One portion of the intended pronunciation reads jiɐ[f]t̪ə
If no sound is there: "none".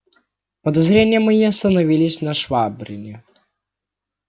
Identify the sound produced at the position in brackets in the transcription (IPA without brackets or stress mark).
s